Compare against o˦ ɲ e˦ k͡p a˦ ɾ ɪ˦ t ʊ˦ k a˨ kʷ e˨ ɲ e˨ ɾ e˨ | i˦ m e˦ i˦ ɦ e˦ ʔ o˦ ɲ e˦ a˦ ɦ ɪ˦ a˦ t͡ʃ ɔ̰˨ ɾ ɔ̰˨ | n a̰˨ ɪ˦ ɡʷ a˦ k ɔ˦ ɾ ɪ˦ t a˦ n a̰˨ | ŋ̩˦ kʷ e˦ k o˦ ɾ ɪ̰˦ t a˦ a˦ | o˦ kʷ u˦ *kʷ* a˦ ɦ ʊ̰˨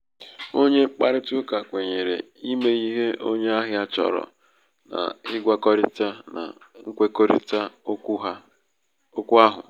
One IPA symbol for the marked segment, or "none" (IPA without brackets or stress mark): none